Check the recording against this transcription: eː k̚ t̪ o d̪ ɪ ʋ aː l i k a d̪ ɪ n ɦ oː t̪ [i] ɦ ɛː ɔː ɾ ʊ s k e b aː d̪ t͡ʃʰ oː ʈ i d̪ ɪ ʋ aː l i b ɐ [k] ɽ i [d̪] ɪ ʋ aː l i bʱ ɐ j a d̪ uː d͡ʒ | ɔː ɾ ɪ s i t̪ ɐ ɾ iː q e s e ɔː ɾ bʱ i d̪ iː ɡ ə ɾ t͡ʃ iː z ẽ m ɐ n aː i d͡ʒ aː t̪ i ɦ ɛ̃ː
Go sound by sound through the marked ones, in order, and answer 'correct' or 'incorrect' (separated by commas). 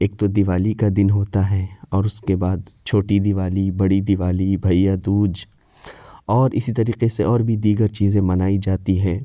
incorrect, incorrect, correct